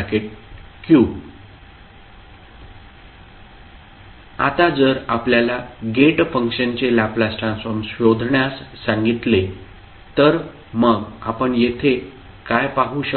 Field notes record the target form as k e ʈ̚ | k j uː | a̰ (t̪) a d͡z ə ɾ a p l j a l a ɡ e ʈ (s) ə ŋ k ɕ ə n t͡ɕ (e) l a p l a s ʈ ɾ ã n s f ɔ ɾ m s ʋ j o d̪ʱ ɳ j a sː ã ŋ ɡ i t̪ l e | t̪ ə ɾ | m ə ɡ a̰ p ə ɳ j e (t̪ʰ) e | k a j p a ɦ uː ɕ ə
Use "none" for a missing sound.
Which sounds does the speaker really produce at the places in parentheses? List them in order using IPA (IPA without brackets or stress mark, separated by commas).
t̪, f, e, t̪ʰ